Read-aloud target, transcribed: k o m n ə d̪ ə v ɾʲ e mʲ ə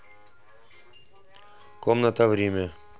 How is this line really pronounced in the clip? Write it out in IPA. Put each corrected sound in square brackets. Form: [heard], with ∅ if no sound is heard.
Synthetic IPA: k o m n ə [t̪] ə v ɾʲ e mʲ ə